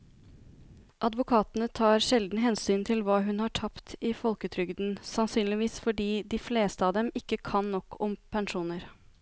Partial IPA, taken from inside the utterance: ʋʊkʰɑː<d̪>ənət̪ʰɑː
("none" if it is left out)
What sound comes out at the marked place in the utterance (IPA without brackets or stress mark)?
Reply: t̪